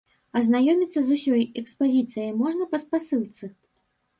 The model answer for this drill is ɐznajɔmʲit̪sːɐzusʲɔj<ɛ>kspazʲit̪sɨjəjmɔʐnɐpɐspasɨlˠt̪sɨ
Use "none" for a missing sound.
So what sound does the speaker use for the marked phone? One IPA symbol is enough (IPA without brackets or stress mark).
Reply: ɛ